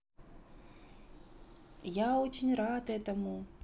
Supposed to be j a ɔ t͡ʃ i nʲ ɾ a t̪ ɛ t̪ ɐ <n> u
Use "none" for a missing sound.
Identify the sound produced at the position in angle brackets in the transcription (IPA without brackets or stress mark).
m